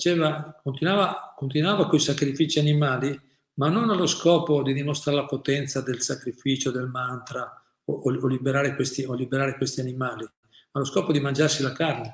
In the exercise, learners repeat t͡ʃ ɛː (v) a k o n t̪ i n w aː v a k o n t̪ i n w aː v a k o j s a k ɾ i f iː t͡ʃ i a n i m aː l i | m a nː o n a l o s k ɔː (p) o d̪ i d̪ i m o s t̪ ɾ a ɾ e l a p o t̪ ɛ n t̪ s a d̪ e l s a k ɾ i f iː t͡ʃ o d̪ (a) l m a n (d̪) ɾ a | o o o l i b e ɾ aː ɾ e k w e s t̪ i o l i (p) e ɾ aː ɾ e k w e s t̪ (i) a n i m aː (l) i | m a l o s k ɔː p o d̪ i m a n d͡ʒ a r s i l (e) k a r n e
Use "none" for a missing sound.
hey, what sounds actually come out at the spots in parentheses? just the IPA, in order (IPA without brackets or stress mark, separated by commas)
v, p, e, t̪, b, i, l, a